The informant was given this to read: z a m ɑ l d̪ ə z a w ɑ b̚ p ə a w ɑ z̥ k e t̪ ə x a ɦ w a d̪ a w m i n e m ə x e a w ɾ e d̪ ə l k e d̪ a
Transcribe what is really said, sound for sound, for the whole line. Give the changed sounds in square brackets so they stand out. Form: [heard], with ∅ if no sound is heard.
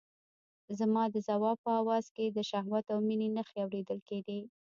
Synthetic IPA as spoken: z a m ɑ [∅] d̪ ə z a w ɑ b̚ p ə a w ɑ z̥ k e [d̪] ə [ʃ] a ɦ w a [t̪] a w m i n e [n] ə x e a w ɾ e d̪ ə l k e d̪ [e]